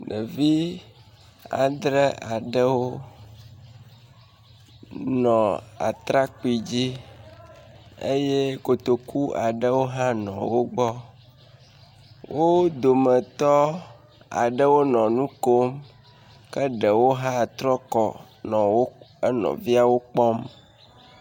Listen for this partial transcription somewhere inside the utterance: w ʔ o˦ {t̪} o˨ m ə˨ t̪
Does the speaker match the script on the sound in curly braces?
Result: no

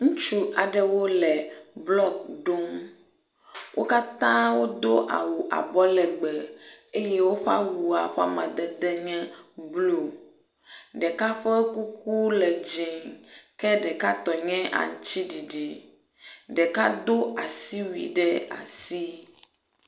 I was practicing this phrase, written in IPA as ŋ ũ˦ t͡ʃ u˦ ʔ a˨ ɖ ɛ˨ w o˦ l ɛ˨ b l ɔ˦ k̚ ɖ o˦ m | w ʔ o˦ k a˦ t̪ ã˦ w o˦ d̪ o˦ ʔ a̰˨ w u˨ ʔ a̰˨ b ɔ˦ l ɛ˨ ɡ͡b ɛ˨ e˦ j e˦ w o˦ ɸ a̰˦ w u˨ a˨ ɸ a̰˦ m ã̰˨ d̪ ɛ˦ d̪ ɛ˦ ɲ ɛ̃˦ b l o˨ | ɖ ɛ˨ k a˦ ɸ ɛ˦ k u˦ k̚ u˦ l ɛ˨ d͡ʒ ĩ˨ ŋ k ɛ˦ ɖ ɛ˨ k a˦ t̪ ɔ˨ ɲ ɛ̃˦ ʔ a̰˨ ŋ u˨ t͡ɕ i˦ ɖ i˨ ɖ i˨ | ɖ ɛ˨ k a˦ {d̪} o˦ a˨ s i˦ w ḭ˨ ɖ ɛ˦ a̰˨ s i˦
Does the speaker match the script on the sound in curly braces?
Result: yes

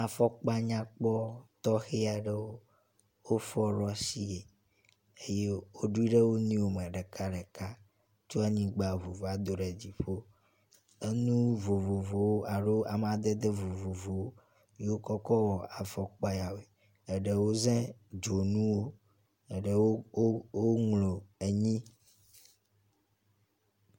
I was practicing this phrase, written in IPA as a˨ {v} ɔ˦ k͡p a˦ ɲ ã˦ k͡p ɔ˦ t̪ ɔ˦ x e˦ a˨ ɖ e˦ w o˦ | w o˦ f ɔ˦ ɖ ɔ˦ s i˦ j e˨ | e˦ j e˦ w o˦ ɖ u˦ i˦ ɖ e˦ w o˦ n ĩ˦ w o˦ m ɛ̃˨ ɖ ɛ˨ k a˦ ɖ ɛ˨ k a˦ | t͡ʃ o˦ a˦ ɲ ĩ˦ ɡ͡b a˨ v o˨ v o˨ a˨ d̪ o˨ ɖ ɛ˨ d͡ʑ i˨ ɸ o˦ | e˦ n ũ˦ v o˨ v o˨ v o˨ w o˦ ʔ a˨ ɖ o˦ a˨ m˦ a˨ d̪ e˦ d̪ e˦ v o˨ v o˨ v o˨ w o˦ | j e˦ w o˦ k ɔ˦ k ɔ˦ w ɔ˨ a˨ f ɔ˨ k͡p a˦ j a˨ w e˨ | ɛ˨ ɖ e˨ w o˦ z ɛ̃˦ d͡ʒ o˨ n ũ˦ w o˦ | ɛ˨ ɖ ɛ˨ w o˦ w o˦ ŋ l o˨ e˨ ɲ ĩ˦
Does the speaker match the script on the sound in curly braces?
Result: no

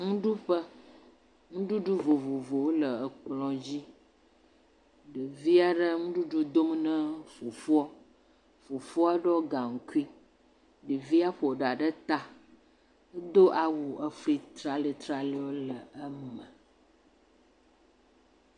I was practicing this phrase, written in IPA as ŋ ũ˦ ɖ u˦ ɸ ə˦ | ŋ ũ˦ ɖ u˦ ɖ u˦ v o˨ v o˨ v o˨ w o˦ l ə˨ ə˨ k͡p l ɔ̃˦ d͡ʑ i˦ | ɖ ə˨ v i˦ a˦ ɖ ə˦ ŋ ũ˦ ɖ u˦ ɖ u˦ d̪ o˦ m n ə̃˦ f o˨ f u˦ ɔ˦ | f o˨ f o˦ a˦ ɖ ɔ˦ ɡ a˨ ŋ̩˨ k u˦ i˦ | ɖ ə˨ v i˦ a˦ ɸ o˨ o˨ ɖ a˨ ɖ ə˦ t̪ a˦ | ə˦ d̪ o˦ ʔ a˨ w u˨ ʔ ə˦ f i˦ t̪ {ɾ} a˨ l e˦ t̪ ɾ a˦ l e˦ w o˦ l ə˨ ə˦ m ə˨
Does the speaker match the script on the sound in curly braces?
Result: yes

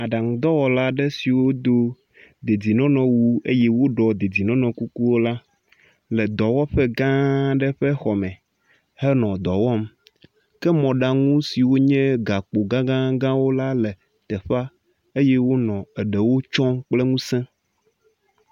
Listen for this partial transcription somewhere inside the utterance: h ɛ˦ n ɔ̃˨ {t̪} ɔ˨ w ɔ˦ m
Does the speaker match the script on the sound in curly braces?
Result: no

